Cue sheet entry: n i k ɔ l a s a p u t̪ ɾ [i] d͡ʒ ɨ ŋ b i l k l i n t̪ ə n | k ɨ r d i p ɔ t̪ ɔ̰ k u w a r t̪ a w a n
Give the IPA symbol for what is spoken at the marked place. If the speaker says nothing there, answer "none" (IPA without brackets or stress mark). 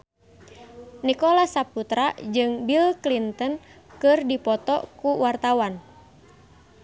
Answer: a